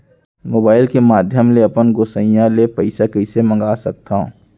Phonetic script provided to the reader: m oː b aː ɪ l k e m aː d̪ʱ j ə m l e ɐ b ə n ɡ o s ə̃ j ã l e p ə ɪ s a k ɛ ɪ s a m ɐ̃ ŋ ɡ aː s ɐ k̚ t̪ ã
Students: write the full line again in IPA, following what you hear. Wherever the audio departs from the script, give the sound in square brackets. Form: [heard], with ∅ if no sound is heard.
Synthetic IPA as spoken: m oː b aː ɪ l k e m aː d̪ʱ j ə m l e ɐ [p] ə n ɡ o s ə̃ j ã l e p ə ɪ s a k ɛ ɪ s [e] m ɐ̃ ŋ ɡ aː s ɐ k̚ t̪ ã